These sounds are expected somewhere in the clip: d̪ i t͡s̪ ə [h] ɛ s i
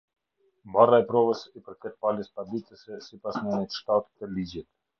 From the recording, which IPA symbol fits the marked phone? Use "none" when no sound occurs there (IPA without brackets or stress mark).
s